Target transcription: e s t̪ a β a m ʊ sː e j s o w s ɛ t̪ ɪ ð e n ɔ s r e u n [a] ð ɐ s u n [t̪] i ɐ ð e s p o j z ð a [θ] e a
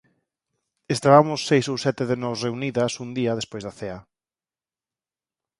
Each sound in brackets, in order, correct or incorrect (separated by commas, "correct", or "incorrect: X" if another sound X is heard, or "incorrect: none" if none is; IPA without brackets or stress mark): incorrect: i, incorrect: d̪, correct